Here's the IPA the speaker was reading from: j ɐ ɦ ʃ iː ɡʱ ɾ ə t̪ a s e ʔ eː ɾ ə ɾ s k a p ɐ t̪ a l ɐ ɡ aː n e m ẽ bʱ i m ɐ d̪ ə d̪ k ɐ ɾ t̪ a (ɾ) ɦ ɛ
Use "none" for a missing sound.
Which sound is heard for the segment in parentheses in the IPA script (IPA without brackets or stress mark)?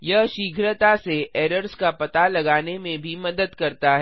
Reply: none